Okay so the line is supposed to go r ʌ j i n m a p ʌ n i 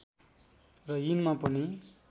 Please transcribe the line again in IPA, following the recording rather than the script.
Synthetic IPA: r ʌ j i n m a p ʌ n i